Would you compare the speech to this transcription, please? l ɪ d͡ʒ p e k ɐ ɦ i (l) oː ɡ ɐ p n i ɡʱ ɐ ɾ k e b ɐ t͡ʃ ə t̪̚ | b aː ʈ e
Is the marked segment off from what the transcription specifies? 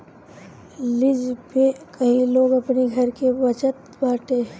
no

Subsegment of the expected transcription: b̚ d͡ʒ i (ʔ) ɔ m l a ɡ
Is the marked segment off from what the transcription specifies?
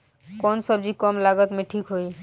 yes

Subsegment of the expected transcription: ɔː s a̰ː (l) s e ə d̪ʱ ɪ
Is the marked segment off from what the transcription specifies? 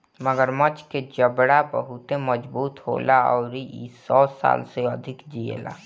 no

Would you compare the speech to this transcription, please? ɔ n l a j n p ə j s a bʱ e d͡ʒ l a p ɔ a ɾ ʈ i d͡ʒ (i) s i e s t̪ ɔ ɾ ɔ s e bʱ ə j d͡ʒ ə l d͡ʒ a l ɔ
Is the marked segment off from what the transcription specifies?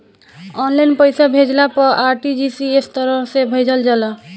no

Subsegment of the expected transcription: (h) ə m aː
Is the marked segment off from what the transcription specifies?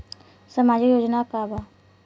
yes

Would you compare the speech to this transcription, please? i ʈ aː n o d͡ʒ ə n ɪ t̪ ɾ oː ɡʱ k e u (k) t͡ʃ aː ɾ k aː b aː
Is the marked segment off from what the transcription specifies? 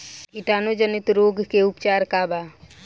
yes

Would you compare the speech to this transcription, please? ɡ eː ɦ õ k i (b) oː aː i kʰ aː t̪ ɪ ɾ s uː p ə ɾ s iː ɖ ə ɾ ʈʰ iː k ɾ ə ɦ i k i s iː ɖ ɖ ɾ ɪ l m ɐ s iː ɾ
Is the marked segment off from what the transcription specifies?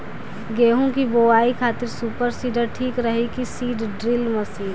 no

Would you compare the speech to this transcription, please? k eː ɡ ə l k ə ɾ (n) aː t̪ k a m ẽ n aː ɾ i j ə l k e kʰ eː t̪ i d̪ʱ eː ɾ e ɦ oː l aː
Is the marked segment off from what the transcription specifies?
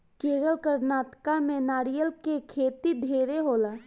no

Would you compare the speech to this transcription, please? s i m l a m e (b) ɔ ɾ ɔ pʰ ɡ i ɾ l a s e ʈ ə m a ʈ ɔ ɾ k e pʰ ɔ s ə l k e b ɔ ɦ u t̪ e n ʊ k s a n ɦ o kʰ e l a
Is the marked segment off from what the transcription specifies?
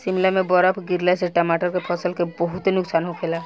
no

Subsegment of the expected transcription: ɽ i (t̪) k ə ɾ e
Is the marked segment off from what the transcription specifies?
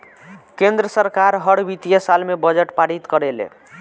no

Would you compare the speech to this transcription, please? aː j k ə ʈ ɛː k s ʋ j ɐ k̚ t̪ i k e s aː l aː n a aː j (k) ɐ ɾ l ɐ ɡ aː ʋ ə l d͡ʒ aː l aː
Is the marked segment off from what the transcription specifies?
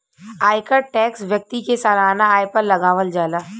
yes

